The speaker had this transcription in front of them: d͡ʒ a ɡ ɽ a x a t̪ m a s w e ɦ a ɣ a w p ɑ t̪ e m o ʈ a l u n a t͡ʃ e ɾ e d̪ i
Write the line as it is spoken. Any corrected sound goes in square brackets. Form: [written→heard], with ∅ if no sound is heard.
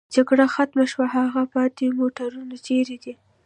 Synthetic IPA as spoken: d͡ʒ a ɡ ɽ a x a t̪ m a [s→ʃ] w [e→a] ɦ a ɣ a [w→∅] p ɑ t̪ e m o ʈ a [l→ɾ] u n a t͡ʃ e ɾ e d̪ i